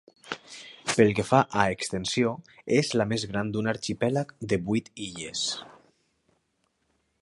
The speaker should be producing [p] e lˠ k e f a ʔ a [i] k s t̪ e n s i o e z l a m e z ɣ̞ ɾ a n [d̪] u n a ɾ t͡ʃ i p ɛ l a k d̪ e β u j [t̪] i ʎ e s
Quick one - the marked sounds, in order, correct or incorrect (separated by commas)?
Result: correct, incorrect, correct, correct